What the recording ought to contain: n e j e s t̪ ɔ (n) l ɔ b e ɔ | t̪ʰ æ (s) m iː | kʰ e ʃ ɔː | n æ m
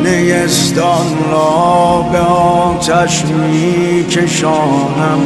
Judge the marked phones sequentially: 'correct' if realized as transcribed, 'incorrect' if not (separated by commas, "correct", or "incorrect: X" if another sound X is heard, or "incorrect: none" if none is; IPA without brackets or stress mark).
correct, incorrect: ʃ